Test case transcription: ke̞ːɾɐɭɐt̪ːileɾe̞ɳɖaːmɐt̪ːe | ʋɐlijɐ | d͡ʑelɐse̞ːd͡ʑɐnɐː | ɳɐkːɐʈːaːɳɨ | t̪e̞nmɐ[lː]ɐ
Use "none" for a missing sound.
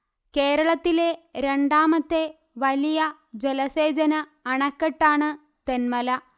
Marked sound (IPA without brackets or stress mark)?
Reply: l